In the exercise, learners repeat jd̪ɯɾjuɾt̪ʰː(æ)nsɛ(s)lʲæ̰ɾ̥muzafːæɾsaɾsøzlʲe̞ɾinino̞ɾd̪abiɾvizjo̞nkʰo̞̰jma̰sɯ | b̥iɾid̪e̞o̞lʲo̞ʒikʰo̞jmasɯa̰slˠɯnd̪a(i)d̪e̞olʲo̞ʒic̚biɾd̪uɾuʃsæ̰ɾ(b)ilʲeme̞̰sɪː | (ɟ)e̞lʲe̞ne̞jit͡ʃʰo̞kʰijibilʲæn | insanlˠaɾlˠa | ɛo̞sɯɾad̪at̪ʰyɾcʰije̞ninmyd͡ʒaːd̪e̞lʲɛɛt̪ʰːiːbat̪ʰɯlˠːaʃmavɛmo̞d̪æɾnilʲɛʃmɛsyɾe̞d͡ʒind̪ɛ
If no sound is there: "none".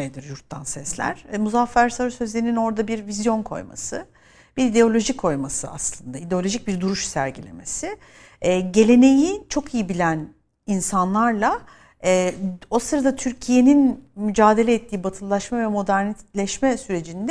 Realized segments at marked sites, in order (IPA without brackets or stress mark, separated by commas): a, s, i, ɟ, ɟ